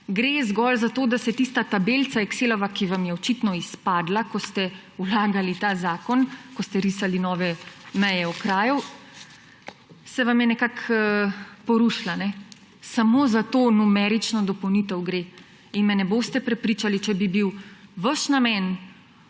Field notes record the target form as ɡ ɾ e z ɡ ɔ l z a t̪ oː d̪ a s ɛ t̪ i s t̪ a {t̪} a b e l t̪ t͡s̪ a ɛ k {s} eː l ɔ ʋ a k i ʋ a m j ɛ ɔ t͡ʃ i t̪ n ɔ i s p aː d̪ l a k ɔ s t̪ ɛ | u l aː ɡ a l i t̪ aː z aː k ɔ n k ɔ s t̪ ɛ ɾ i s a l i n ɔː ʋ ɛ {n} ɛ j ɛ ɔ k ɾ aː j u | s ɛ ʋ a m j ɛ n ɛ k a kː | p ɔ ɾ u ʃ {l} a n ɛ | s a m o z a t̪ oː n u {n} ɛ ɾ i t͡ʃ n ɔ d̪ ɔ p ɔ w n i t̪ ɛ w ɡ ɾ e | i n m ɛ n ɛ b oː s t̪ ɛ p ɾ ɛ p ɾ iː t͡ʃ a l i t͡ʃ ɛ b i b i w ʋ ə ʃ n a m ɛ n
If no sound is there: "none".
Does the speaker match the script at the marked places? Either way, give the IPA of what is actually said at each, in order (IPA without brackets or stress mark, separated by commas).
t̪, s, m, l, m